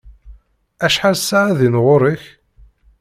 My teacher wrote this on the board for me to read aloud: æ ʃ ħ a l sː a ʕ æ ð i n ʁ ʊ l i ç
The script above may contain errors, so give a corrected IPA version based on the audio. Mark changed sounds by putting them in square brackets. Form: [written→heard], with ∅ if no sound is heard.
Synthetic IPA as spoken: æ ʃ ħ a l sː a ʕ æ ð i n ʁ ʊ [l→ɾ] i ç